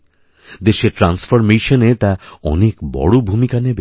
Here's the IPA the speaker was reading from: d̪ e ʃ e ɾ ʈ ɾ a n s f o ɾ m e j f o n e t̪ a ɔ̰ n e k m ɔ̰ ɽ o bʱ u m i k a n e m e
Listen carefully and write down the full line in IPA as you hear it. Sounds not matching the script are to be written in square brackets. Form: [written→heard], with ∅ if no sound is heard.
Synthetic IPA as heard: d̪ e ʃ e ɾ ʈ ɾ a n s f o ɾ m e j [f→ʃ] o n e t̪ a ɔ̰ n e k [m→b] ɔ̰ ɽ o bʱ u m i k a n e [m→b] e